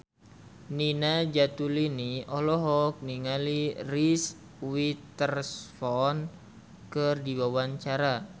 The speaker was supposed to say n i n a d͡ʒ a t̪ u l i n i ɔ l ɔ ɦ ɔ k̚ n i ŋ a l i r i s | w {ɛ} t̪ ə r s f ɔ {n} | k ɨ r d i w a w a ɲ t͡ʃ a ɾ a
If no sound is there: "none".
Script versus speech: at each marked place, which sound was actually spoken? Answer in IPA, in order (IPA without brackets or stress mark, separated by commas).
i, n